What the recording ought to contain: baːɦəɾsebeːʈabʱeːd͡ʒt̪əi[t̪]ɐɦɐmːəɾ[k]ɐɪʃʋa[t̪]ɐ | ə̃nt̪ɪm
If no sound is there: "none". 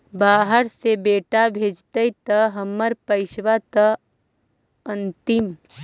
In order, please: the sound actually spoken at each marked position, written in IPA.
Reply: t̪, p, t̪

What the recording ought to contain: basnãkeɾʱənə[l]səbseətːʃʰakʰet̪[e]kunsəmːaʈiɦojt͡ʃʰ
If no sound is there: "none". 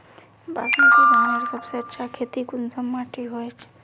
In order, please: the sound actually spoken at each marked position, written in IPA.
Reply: ɾ, i

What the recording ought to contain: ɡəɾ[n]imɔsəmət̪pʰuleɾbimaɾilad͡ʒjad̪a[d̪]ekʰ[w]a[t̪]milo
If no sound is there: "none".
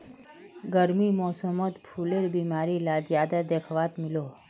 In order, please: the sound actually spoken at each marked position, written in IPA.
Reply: m, d̪, ʋ, t̪

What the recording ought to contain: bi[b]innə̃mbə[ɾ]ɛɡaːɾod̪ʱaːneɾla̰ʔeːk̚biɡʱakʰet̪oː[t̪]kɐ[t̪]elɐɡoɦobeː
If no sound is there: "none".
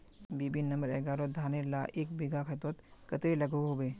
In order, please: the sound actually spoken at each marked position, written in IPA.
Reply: b, ɾ, t̪, t̪

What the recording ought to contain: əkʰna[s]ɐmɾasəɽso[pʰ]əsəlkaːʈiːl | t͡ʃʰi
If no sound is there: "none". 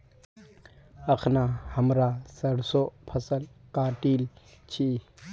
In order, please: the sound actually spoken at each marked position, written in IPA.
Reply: h, pʰ

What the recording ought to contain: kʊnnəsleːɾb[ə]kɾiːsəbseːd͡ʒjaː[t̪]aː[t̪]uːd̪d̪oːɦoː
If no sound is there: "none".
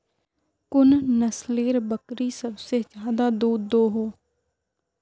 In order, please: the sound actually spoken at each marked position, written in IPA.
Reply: ə, d̪, d̪

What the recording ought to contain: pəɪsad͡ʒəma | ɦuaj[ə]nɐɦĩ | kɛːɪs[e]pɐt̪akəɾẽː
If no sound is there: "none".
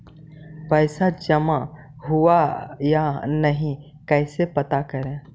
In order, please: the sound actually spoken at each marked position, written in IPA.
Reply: a, e

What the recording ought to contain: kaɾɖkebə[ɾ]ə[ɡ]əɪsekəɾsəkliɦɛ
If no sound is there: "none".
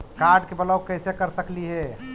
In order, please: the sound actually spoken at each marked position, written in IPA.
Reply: l, k

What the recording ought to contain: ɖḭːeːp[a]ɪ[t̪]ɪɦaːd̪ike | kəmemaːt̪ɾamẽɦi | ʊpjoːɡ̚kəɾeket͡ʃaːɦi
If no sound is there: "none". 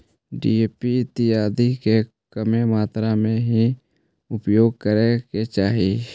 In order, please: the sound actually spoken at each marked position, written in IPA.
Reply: i, t̪

